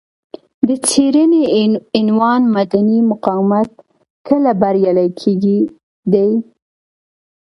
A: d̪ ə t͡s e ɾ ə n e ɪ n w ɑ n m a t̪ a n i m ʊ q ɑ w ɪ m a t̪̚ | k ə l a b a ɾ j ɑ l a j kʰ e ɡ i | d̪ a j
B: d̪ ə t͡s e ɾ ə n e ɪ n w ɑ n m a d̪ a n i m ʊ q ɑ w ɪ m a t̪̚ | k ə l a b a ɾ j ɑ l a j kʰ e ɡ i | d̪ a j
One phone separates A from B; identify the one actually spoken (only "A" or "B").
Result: B